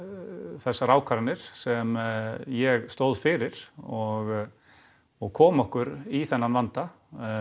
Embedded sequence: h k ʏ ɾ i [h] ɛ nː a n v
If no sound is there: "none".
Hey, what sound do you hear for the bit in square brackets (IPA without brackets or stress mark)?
θ